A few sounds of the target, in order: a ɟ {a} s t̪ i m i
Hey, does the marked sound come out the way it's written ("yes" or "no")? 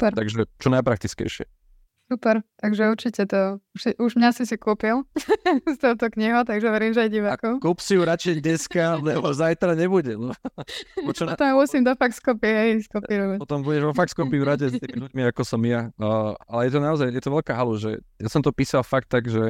no